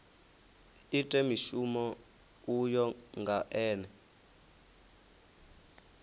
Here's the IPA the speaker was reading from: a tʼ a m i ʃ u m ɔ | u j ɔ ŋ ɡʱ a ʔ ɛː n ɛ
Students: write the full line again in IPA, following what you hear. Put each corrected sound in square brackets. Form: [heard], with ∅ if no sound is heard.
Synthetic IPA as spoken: [i] tʼ [ɛ] m i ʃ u m ɔ | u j ɔ ŋ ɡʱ a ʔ ɛː n ɛ